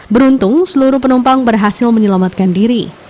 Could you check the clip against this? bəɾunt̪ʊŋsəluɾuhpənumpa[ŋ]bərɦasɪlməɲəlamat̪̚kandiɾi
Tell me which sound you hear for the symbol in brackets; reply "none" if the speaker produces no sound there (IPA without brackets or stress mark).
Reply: ŋ